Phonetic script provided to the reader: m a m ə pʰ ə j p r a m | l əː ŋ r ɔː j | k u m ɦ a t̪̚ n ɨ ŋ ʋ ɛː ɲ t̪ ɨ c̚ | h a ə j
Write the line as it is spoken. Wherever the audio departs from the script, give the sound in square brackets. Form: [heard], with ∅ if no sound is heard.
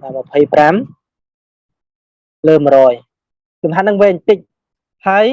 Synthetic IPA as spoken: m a m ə pʰ ə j p r a m | l əː [m] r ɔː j | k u m ɦ a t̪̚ n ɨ ŋ ʋ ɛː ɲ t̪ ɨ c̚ | h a ə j